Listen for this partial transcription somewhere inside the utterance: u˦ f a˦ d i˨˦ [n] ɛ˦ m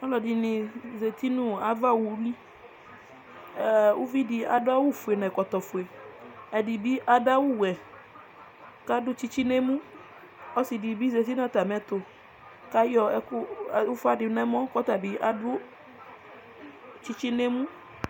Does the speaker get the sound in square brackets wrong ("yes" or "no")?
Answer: no